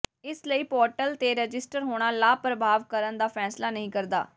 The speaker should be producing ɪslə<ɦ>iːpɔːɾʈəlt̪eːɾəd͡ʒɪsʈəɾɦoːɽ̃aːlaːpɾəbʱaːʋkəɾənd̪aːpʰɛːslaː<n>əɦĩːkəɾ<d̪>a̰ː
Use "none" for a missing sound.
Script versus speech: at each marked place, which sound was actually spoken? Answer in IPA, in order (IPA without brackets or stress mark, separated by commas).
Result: none, n, d̪